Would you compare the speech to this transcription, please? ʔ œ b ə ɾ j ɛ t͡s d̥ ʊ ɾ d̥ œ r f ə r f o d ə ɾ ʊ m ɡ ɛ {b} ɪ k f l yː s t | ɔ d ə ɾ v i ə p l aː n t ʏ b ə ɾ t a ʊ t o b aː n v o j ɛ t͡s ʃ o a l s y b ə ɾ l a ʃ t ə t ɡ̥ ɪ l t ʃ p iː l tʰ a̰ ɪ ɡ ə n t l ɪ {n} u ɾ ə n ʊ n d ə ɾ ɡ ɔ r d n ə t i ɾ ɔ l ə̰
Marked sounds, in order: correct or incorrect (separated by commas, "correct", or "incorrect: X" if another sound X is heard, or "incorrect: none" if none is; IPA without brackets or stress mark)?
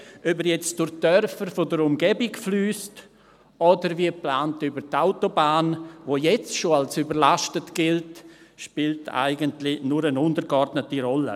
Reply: correct, correct